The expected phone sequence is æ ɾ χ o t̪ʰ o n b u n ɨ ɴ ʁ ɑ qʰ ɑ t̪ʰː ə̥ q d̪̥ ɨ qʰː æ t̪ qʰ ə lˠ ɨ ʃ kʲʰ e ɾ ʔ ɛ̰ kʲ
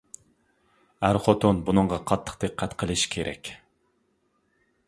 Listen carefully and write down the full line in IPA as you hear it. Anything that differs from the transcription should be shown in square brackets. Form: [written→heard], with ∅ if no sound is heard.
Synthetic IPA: æ ɾ χ o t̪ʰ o n b u n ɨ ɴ ʁ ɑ qʰ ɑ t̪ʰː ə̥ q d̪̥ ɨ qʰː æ t̪ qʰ ə lˠ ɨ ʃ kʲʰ e ɾ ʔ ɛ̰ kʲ